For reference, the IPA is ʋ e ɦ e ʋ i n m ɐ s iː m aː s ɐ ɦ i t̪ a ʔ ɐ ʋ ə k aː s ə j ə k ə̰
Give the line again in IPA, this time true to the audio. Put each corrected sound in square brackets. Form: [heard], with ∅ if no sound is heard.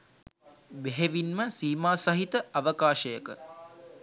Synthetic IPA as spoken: ʋ e ɦ e ʋ i n m [ə] s iː m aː s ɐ ɦ i t̪ [ə] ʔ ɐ ʋ ə k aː [ʃ] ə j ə k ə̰